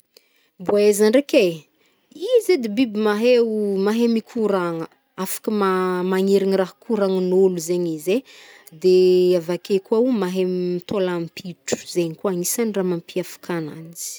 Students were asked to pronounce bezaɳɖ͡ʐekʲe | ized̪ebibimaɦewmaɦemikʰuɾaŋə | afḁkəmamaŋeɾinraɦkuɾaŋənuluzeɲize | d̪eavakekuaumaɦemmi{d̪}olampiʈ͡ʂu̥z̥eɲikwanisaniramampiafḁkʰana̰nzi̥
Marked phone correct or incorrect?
incorrect: t̪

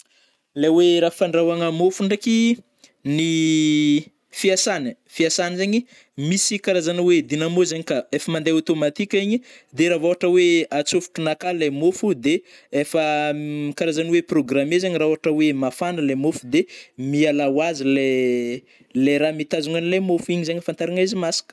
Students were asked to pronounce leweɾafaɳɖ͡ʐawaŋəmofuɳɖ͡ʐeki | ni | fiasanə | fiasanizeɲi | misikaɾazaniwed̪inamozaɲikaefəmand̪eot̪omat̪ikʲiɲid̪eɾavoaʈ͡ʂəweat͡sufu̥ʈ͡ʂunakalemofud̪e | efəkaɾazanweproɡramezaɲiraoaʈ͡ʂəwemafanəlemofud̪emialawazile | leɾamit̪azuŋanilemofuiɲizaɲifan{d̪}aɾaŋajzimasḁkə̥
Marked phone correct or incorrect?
incorrect: t̪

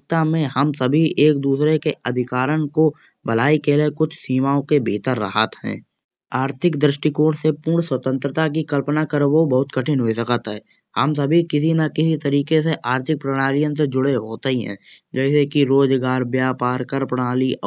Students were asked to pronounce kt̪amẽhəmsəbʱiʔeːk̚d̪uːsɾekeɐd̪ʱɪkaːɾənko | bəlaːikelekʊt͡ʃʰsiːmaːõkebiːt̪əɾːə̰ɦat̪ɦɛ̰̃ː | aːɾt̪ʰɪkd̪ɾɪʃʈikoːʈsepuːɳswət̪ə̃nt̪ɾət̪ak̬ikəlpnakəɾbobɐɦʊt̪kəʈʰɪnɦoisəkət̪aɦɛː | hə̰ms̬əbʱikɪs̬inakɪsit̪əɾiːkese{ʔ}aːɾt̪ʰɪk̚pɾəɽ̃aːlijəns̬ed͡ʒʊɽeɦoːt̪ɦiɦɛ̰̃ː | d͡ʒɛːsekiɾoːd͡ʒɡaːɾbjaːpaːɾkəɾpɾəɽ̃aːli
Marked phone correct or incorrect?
correct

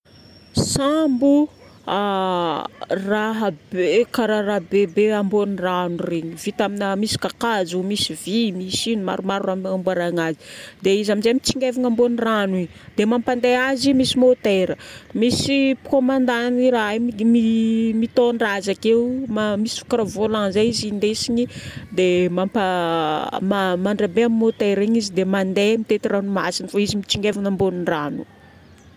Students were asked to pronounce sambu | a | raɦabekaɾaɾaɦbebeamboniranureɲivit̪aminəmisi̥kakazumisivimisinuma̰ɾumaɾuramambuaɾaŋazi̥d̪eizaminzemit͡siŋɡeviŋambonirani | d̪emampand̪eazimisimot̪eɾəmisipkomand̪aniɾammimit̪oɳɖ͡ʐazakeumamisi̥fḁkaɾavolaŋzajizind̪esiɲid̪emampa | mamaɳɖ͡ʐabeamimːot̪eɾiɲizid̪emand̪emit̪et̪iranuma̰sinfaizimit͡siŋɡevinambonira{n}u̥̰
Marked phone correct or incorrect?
correct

